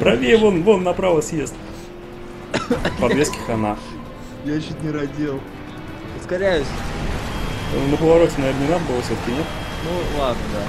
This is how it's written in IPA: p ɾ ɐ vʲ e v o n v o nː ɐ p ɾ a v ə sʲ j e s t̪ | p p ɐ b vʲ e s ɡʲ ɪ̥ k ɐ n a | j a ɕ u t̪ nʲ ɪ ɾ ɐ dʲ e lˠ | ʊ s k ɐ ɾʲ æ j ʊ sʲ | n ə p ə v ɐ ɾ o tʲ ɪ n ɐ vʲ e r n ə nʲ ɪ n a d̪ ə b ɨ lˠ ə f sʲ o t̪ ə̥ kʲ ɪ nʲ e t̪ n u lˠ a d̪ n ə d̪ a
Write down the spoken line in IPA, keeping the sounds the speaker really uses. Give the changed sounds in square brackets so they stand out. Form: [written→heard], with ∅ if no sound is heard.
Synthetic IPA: p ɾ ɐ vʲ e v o n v o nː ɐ p ɾ a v ə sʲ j e s t̪ | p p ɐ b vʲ e s [ɡʲ→kʲ] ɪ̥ [k→x] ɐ n a | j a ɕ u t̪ nʲ ɪ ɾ ɐ dʲ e lˠ | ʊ s k ɐ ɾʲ æ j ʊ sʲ | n ə p ə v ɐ ɾ o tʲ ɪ n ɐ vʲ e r n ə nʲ ɪ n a d̪ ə b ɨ lˠ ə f sʲ o t̪ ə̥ kʲ ɪ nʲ e t̪ n u lˠ a d̪ n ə d̪ a